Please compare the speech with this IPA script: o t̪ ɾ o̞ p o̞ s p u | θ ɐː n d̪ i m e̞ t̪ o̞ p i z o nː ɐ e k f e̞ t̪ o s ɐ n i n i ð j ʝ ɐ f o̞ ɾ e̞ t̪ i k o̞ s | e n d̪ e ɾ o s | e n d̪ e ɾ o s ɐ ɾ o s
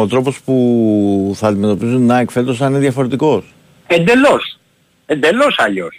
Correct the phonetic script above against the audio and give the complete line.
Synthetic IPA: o t̪ ɾ o̞ p o̞ s p u | θ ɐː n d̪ i m e̞ t̪ o̞ p i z u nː ɐ e k f e̞ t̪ o s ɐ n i n e ð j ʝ ɐ f o̞ ɾ e̞ t̪ i k o̞ s | e n d̪ e l o s | e n d̪ e l o s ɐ ʎ o s